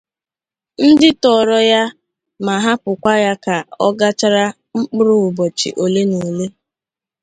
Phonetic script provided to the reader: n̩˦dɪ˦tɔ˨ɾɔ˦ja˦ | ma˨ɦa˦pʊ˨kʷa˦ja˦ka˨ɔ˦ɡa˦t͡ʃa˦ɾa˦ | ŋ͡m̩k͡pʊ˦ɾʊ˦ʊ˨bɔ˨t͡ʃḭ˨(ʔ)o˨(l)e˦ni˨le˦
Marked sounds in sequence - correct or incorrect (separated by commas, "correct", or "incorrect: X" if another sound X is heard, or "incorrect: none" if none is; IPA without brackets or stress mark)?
correct, correct